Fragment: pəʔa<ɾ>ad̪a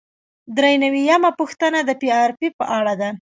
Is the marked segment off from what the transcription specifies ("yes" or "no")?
yes